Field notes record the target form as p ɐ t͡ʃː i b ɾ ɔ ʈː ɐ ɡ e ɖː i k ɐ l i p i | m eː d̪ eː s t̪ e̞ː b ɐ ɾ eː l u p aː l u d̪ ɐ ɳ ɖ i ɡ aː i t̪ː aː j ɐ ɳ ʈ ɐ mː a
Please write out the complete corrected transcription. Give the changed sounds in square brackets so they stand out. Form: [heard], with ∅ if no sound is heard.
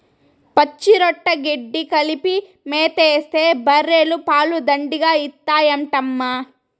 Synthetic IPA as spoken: p ɐ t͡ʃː i [∅] ɾ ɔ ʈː ɐ ɡ e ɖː i k ɐ l i p i | m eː [t̪] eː s t̪ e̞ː b ɐ ɾ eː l u p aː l u d̪ ɐ ɳ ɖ i ɡ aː i t̪ː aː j ɐ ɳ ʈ ɐ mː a